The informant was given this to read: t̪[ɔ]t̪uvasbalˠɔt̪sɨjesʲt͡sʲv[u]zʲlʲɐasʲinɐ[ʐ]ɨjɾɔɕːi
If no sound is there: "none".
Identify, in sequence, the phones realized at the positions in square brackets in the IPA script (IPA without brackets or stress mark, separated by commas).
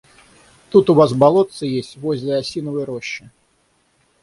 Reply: u, ɔ, v